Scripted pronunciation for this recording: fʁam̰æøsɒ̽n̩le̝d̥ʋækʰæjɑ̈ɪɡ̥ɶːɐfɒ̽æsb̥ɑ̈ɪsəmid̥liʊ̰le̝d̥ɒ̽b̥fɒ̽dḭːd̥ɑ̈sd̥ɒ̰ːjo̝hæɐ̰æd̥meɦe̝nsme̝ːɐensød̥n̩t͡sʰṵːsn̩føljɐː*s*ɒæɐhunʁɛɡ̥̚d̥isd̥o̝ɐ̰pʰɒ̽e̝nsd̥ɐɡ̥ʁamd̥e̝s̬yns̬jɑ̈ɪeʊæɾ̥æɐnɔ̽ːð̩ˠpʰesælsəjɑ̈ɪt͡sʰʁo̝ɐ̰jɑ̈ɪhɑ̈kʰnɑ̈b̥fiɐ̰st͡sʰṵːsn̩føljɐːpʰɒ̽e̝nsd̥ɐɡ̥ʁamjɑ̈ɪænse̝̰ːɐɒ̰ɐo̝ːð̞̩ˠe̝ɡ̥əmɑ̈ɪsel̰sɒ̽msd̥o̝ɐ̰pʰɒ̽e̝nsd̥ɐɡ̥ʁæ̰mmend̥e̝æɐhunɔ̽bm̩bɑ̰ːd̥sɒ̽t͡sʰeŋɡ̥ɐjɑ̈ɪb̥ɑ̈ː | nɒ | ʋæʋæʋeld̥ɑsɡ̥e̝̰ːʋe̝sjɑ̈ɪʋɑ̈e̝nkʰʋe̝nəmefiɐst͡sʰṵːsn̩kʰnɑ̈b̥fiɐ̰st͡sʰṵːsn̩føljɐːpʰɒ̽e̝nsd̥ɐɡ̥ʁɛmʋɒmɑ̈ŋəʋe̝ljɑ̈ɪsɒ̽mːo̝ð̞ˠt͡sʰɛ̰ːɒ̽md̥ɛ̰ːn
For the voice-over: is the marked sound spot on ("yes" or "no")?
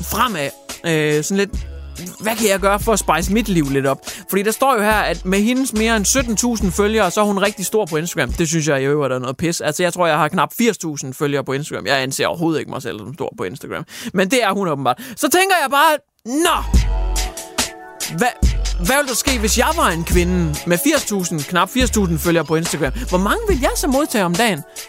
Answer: yes